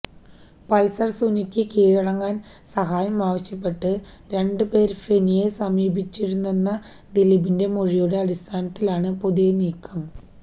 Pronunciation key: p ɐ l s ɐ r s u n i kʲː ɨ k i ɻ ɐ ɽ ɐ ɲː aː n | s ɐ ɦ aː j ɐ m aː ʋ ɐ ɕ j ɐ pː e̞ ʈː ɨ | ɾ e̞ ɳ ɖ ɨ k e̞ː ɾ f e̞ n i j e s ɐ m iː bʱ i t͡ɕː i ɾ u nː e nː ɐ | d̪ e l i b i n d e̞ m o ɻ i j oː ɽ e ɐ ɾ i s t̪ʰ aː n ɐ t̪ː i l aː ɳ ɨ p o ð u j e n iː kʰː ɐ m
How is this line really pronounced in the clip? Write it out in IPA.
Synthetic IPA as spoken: p ɐ l s ɐ r s u n i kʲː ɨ k iː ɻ ɐ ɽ ɐ ŋː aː n | s ɐ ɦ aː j ɐ m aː ʋ ɐ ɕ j ɐ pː e̞ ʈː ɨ | ɾ e̞ ɳ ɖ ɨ p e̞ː ɾ f e̞ n i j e s ɐ m iː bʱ i t͡ɕː i ɾ u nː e nː ɐ | d̪ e l i b i n d e̞ m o ɻ i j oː ɽ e ɐ ɽ i s t̪ʰ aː n ɐ t̪ː i l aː ɳ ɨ p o ð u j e n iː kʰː ɐ m